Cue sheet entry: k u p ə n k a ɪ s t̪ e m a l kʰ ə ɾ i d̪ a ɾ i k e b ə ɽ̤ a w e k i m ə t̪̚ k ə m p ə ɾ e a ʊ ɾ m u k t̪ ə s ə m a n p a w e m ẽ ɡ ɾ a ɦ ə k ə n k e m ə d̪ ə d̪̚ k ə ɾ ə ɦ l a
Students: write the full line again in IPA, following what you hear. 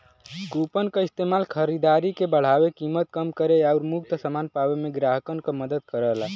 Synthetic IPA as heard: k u p ə n k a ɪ s t̪ e m a l kʰ ə ɾ i d̪ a ɾ i k e b ə ɽ̤ a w e k i m ə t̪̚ k ə m k ə ɾ e a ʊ ɾ m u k t̪ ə s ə m a n p a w e m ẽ ɡ ɾ a ɦ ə k ə n k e m ə d̪ ə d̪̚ k ə ɾ ə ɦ l a